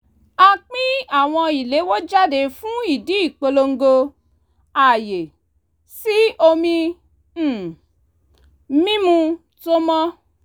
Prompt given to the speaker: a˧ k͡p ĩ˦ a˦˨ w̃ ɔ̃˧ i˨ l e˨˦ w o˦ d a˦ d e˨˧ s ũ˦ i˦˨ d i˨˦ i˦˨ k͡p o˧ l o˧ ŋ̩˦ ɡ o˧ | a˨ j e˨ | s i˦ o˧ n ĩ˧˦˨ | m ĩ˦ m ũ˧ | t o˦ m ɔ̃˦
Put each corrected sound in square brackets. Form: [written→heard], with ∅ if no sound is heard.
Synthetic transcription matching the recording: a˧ k͡p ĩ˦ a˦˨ w̃ ɔ̃˧ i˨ l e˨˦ w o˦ [d→d͡ʒ] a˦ d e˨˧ [s→f] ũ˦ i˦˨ d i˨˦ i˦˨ k͡p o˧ l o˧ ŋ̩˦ ɡ o˧ | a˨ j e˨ | s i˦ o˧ [n→m] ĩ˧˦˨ | m ĩ˦ m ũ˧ | t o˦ m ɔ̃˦

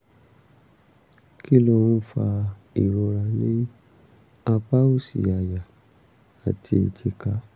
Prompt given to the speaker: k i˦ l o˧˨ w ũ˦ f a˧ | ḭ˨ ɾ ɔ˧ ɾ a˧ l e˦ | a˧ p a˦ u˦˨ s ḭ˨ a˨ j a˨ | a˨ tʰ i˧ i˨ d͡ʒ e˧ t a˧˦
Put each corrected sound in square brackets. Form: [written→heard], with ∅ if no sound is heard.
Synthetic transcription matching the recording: k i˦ l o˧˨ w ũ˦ f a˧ | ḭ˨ ɾ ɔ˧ ɾ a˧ l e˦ | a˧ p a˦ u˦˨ s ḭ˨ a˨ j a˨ | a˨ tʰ i˧ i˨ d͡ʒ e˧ [t→k] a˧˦

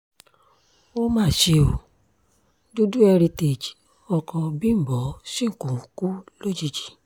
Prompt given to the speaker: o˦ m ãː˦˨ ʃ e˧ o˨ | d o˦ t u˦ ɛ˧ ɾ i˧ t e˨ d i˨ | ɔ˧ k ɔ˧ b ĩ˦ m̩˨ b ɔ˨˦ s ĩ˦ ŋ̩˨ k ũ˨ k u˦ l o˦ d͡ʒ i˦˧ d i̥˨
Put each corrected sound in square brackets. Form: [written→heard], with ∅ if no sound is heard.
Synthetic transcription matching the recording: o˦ m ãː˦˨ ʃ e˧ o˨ | d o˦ [t→d] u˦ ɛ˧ ɾ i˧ t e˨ [d→d͡ʒ] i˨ | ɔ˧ k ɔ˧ b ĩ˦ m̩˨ b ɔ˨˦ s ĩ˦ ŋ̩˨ k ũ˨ k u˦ l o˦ d͡ʒ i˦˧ [d→d͡ʒ] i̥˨

